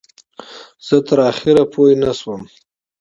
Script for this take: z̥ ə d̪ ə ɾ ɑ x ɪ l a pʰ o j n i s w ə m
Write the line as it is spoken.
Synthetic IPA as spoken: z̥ ə t̪ ə ɾ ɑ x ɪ ɾ a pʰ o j n a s w ə m